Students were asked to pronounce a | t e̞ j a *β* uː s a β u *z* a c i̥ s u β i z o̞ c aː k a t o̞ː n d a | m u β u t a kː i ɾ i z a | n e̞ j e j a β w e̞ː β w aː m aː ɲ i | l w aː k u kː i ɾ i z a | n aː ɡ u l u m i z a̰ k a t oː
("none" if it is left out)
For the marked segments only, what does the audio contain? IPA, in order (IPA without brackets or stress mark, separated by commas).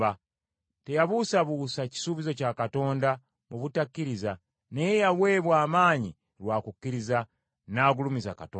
β, s